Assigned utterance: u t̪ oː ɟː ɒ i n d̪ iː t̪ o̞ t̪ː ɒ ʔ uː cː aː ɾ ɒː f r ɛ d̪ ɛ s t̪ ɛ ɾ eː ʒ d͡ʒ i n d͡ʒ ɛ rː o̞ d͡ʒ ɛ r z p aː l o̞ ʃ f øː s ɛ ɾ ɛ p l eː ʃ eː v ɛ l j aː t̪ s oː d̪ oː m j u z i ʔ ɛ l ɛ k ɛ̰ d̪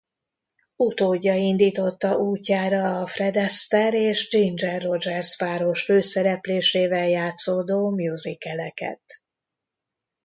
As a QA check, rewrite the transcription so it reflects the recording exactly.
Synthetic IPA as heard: u t̪ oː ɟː ɒ i n d̪ iː t̪ o̞ t̪ː ɒ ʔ uː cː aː ɾ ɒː f r ɛ d̪ ɛ s t̪ ɛ ɾ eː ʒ d͡ʒ i n d͡ʒ ɛ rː o̞ d͡ʒ ɛ r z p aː ɾ o̞ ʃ f øː s ɛ ɾ ɛ p l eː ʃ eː v ɛ l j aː t̪ s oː d̪ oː m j u z i k ɛ l ɛ k ɛ̰ t̪